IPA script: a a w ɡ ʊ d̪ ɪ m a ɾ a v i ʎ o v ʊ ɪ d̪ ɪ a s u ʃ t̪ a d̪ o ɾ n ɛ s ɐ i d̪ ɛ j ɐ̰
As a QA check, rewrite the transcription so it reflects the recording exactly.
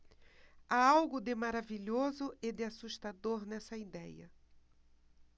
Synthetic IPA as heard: a a w ɡ ʊ d̪ ɪ m a ɾ a v i ʎ o z ʊ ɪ d̪ ɪ a s u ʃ t̪ a d̪ o ɾ n ɛ s ɐ i d̪ ɛ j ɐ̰